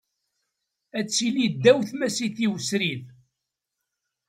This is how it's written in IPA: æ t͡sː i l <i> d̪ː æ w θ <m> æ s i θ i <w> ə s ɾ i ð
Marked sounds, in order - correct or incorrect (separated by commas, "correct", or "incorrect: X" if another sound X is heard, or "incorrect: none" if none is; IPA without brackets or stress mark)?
correct, correct, correct